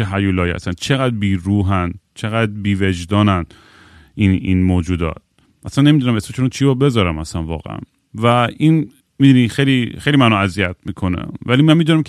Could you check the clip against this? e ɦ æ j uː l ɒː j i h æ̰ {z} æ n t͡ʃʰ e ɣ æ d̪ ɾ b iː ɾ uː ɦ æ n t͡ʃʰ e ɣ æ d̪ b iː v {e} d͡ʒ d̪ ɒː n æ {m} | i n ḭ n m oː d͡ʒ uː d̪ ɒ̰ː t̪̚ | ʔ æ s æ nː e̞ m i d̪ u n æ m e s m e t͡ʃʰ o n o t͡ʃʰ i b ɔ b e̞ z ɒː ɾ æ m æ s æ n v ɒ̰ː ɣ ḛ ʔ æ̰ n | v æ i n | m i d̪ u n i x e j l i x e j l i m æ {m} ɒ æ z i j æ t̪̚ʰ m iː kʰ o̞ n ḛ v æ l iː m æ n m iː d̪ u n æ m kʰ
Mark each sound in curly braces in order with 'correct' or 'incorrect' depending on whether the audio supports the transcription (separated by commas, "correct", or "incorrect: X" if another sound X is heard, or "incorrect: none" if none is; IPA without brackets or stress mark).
incorrect: s, correct, incorrect: n, incorrect: n